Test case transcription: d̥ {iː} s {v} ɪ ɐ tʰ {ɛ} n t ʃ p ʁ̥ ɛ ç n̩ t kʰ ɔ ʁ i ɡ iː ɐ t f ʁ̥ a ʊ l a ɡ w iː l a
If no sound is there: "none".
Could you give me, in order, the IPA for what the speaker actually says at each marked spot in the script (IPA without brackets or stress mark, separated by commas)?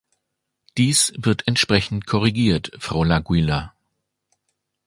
iː, v, ɛ